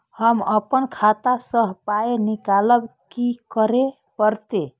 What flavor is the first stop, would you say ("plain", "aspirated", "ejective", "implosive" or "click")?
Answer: plain